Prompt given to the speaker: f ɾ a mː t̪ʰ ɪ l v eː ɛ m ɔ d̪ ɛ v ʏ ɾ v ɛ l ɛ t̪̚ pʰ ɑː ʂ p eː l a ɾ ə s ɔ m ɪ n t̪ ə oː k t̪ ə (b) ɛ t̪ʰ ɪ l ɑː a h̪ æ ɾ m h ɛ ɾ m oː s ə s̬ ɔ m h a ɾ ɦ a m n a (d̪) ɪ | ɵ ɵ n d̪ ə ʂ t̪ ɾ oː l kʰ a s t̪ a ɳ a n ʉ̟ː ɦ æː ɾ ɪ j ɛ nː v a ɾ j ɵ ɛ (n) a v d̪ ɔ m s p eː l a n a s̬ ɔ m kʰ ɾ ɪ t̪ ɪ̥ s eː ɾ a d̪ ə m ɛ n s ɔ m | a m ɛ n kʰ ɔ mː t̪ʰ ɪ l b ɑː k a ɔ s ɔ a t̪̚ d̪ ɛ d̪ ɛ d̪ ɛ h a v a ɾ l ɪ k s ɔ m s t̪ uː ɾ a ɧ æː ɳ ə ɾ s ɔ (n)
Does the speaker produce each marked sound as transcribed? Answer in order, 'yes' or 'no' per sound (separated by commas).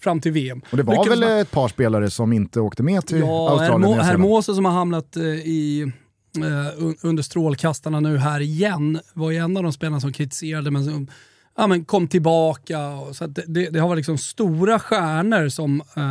no, no, no, no